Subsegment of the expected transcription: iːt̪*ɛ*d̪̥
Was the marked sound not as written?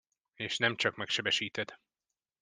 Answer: no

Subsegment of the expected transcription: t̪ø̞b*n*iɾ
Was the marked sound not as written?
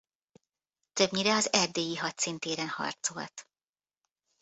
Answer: yes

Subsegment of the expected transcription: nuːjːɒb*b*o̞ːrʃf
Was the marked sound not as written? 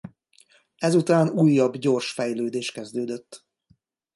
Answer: yes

